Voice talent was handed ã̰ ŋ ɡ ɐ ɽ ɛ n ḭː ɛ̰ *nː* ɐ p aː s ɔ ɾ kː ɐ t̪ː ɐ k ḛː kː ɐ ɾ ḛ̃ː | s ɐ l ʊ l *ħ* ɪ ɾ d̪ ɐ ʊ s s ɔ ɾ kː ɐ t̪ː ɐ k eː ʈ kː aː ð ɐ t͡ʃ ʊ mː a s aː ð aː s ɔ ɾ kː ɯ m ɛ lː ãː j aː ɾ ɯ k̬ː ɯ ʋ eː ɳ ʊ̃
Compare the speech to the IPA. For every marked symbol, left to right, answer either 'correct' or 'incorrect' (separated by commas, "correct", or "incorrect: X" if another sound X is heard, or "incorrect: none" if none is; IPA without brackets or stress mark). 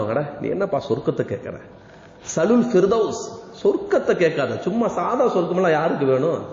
correct, incorrect: f